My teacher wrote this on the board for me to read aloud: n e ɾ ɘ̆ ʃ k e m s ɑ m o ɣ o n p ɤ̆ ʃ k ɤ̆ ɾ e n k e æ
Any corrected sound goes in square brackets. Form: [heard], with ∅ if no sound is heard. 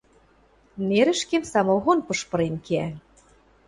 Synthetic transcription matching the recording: n e ɾ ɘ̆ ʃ k e m s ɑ m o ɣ o n p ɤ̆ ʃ [p] ɤ̆ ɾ e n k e æ